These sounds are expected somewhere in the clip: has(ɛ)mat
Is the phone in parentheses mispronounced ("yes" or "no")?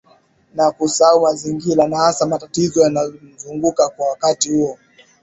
yes